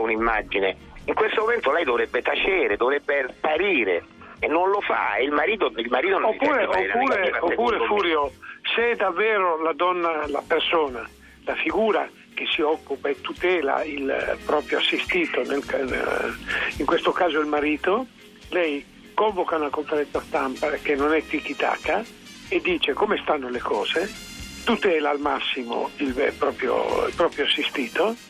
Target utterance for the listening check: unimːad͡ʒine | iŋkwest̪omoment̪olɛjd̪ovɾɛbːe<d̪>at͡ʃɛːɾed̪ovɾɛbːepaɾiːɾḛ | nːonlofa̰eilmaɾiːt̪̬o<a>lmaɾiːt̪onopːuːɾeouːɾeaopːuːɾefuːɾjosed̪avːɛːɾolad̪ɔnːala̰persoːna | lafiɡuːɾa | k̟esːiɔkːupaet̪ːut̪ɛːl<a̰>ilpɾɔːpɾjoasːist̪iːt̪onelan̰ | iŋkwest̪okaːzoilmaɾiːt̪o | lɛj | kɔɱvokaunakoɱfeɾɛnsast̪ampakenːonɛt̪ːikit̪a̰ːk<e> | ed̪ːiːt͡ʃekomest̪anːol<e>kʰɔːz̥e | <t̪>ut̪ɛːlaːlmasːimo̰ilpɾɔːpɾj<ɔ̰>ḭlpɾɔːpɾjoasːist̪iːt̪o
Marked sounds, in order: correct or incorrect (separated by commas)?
incorrect, incorrect, correct, incorrect, correct, correct, incorrect